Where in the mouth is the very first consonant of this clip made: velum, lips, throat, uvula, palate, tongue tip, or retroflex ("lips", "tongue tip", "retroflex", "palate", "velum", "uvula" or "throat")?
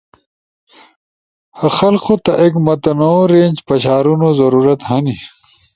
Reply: throat